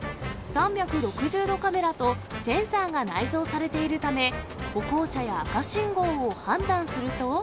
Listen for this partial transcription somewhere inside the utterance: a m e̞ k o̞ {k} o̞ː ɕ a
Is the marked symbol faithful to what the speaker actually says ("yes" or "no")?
yes